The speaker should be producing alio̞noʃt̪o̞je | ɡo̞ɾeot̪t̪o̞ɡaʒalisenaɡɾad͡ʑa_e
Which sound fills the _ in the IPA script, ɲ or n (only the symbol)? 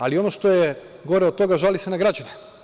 n